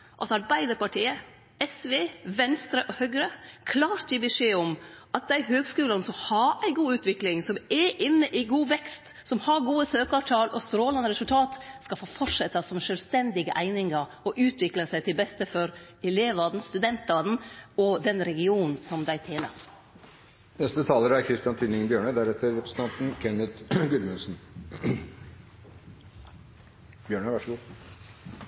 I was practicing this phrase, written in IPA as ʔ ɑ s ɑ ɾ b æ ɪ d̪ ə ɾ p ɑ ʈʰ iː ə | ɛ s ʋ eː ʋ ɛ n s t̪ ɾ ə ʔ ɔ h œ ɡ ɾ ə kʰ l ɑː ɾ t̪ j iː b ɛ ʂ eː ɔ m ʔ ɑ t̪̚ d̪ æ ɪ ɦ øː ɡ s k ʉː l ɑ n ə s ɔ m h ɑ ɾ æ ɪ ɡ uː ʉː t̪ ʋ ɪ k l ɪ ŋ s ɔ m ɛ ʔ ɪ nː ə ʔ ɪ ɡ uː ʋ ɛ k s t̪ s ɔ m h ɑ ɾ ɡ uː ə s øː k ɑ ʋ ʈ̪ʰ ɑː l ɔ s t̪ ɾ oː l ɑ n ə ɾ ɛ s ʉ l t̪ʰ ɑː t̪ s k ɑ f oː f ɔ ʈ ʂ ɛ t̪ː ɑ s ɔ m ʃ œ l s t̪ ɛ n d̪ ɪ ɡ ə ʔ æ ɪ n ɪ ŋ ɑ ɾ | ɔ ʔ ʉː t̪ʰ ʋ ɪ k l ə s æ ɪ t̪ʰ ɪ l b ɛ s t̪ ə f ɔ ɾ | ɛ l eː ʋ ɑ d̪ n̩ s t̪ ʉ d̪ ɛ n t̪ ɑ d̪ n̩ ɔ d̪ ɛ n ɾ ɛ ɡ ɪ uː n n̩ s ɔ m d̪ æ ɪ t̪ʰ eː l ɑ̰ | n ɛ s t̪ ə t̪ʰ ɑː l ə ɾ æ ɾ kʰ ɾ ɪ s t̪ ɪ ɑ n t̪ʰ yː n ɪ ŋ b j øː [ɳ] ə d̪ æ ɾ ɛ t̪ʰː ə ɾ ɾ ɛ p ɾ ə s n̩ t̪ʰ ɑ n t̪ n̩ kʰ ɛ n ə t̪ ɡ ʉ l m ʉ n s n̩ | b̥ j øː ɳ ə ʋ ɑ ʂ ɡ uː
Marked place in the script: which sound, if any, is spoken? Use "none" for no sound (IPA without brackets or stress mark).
ɳ